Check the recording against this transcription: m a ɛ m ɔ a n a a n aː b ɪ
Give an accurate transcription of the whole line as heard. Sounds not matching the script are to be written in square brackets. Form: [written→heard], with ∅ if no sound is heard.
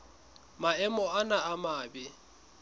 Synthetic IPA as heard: m a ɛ m ɔ a n a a [n→m] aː b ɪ